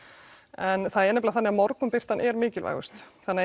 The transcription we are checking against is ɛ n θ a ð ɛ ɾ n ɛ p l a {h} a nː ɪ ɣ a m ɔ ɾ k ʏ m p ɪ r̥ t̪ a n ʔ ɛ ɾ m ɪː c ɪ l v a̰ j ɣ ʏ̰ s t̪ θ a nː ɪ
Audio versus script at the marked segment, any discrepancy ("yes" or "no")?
yes